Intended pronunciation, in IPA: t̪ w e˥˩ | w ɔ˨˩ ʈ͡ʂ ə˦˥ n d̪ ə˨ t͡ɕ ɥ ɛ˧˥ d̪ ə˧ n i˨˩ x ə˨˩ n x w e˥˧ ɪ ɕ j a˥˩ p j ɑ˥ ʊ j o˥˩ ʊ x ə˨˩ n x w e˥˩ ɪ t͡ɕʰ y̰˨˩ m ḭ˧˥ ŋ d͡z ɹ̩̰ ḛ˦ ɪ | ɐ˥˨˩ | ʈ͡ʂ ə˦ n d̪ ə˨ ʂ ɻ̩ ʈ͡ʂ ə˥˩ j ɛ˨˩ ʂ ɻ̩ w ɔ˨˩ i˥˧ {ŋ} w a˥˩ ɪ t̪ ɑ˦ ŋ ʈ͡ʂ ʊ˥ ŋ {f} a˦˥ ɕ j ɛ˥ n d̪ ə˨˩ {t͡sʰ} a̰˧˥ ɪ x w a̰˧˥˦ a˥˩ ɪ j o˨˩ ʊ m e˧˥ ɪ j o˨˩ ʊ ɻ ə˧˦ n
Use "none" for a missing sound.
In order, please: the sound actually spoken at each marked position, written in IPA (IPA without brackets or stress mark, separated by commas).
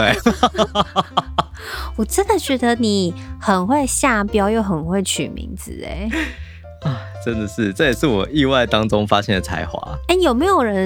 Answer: none, f, t͡sʰ